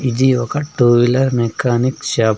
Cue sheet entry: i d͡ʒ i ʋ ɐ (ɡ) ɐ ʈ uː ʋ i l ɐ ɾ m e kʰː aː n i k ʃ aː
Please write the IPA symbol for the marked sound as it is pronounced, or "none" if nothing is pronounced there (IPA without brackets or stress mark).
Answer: k